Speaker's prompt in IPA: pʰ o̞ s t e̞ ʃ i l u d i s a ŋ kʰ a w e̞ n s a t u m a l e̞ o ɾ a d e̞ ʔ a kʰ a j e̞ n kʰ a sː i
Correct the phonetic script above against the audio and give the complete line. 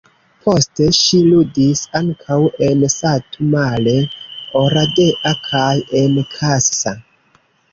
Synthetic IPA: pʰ o̞ s t e̞ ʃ i l u d i s a ŋ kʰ a w e̞ n s a t u m a l e̞ o ɾ a d e̞ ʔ a kʰ a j e̞ n kʰ a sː a